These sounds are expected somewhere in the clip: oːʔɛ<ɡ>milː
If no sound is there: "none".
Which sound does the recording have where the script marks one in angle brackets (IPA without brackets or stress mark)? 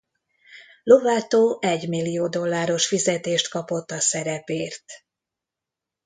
ɟ